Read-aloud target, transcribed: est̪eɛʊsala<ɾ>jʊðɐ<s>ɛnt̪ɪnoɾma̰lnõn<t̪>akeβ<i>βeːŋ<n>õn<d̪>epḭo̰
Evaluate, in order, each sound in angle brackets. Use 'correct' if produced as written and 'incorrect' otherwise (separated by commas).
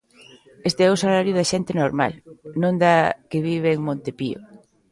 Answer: correct, incorrect, incorrect, correct, incorrect, incorrect